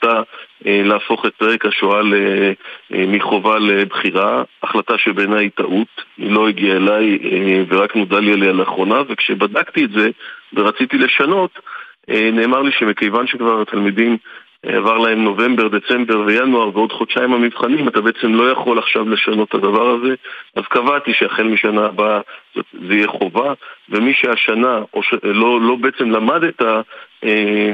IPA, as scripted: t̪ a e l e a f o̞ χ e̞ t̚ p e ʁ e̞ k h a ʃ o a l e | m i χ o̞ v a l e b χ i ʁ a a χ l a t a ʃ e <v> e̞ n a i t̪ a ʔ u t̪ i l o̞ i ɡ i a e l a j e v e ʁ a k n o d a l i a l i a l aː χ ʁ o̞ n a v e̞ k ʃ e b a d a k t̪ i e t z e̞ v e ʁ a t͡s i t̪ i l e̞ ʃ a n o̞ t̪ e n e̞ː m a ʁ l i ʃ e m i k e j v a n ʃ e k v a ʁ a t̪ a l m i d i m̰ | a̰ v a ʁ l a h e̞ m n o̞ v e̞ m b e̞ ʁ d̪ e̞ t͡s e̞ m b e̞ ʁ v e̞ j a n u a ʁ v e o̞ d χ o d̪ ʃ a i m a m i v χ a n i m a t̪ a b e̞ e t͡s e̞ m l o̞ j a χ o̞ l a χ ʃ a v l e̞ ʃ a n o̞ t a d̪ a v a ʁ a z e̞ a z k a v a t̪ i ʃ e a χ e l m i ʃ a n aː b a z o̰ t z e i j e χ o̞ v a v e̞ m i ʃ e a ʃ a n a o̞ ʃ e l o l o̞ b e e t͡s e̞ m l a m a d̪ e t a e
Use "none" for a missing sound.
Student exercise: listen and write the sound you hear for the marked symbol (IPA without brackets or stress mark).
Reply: b